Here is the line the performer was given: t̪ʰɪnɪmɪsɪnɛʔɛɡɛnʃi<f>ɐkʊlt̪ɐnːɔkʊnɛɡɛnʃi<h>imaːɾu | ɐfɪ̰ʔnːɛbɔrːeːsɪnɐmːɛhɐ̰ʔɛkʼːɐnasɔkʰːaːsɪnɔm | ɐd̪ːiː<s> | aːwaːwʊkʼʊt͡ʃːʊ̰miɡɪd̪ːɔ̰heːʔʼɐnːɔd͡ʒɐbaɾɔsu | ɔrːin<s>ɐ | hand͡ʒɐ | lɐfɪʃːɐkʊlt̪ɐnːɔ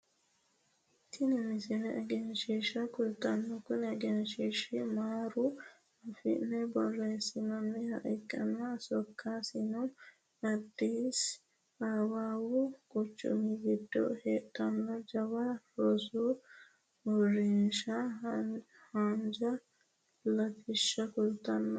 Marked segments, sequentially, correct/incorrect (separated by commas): incorrect, incorrect, correct, incorrect